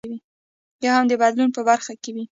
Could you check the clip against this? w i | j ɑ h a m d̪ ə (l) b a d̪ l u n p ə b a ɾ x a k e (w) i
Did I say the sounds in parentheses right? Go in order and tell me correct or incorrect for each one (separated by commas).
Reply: incorrect, correct